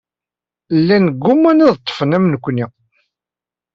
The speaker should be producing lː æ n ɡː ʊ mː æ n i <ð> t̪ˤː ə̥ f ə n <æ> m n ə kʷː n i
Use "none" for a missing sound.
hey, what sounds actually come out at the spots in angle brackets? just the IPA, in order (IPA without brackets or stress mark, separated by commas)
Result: ð, æ